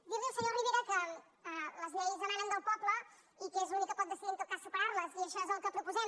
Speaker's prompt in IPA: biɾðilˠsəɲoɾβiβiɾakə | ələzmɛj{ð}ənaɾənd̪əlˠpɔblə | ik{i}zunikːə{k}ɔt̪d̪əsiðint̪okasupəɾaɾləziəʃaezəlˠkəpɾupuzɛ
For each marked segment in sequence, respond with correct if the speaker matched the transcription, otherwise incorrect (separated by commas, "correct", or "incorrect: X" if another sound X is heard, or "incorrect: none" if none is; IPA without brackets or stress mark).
incorrect: z, incorrect: e, incorrect: p